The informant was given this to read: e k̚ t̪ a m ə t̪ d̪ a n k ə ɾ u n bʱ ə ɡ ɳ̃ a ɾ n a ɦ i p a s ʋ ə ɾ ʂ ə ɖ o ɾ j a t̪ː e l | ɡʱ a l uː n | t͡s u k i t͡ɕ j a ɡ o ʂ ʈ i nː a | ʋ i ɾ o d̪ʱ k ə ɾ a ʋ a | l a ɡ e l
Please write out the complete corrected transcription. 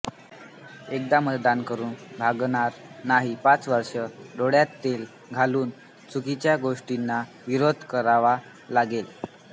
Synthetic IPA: e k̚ d̪ a m ə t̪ d̪ a n k ə ɾ uː n bʱ a ɡ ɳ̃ a ɾ n a ɦ i p a t͡s ʋ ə ɾ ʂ ə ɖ o ɽ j a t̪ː e l | ɡʱ a l uː n | t͡s u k i t͡ɕ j a ɡ o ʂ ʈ i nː a | ʋ i ɾ o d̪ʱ k ə ɾ a ʋ a | l a ɡ e l